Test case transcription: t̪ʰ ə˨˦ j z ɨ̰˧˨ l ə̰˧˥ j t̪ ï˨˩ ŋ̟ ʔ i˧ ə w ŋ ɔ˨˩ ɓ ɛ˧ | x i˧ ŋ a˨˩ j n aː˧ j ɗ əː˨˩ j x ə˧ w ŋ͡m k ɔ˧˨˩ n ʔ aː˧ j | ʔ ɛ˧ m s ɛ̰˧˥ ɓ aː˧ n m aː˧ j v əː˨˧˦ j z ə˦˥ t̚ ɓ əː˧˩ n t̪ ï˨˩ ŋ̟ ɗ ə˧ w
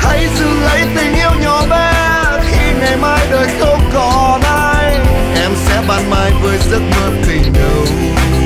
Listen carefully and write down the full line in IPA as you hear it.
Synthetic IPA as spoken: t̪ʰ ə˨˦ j z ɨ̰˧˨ l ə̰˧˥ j t̪ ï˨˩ ŋ̟ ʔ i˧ ə w ɲ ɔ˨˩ ɓ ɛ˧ | x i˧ ŋ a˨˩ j m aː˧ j ɗ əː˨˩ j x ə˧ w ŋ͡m k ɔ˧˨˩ n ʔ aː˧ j | ʔ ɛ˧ m s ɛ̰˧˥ ɓ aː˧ n m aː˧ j v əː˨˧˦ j z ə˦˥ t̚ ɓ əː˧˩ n t̪ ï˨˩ ŋ̟ ɗ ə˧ w

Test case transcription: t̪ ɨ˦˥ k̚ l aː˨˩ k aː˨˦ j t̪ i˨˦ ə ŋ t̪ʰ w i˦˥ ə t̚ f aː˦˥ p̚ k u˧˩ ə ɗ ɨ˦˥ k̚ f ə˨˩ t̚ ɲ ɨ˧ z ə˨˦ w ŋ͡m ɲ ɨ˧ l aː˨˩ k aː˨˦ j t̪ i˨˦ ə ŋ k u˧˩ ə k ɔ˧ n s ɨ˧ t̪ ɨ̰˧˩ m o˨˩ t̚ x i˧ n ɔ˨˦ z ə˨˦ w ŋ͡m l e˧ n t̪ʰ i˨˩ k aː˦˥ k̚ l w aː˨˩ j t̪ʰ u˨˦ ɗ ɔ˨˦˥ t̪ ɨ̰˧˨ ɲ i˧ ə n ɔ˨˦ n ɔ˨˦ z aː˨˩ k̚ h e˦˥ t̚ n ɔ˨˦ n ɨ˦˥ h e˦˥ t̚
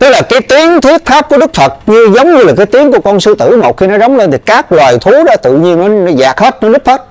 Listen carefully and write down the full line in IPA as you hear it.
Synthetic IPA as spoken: t̪ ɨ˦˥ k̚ l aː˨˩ k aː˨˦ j t̪ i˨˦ ə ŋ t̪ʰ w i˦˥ ə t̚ f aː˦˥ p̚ k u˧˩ ə ɗ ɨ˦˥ k̚ f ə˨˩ t̚ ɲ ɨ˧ z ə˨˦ w ŋ͡m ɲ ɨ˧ l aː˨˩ k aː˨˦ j t̪ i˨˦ ə ŋ k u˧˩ ə k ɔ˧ n s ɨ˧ t̪ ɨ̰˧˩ m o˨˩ t̚ x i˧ n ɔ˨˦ z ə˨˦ w ŋ͡m l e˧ n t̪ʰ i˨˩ k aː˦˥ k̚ l w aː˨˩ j t̪ʰ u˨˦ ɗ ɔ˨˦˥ t̪ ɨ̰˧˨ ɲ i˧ ə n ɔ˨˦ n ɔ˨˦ z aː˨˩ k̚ h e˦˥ t̚ n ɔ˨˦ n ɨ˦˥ h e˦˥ t̚

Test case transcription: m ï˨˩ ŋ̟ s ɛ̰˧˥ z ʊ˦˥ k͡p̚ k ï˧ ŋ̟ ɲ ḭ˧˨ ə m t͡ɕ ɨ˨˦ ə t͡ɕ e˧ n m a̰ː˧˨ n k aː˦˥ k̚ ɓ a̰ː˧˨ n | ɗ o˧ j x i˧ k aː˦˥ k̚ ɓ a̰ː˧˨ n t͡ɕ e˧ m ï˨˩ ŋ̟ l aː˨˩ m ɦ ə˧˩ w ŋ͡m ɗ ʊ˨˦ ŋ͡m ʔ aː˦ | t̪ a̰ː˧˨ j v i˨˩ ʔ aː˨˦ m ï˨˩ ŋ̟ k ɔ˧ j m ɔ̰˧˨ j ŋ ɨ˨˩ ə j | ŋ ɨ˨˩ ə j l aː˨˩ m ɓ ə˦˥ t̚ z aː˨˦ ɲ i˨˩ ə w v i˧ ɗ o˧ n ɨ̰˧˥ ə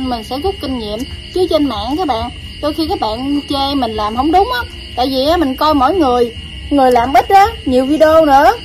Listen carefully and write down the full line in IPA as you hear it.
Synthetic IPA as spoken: m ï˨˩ ŋ̟ s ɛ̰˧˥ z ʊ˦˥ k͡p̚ k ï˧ ŋ̟ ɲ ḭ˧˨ ə m t͡ɕ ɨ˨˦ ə t͡ɕ e˧ n m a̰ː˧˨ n k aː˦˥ k̚ ɓ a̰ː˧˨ n | ɗ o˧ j x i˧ k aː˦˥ k̚ ɓ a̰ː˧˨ n t͡ɕ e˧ m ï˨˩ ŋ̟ l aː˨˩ m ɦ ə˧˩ w ŋ͡m ɗ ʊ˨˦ ŋ͡m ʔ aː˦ | t̪ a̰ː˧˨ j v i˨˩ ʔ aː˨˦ m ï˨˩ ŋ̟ k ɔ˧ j m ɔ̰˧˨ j ŋ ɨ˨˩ ə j | ŋ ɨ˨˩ ə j l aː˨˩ m ɓ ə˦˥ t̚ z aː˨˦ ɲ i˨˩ ə w v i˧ ɗ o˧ n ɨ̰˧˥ ə

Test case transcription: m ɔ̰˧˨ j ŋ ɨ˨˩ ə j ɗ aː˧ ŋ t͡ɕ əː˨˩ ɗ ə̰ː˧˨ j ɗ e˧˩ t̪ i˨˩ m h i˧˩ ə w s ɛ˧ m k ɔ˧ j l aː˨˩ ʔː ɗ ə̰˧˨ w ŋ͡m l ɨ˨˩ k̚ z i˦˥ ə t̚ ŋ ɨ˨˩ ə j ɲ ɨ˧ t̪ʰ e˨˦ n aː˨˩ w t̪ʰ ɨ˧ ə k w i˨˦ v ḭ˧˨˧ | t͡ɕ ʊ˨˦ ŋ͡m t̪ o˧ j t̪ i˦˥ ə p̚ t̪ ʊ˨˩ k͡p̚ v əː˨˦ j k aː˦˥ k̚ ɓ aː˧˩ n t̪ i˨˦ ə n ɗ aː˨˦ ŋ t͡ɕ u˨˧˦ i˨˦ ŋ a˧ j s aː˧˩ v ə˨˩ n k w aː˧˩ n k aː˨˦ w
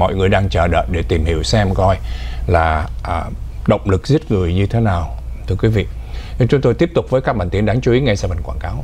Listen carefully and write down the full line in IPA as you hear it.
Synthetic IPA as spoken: m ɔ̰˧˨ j ŋ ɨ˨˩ ə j ɗ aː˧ ŋ t͡ɕ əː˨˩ ɗ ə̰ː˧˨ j ɗ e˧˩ t̪ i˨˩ m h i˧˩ ə w s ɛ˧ m k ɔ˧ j l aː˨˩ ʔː ɗ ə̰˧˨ w ŋ͡m l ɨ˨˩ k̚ z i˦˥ ə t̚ ŋ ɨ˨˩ ə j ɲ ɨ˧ t̪ʰ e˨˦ n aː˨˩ w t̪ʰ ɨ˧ ə k w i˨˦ v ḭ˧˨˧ | t͡ɕ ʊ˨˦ ŋ͡m t̪ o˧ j t̪ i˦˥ ə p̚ t̪ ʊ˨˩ k͡p̚ v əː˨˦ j k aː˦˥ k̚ ɓ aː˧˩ n t̪ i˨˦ ə n ɗ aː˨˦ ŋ t͡ɕ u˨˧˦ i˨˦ ŋ a˧ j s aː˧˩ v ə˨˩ n k w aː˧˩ n k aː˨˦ w

